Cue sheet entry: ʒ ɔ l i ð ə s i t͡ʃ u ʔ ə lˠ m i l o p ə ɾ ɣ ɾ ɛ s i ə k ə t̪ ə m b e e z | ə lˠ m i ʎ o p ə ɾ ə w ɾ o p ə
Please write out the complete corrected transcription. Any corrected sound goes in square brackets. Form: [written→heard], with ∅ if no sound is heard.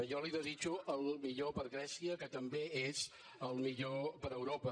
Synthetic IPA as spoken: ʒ ɔ l i ð ə [s→z] i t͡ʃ u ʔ ə lˠ m i [l→ʎ] o p ə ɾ ɣ ɾ ɛ s i ə k ə t̪ ə m b e e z | ə lˠ m i ʎ o p ə ɾ ə w ɾ o p ə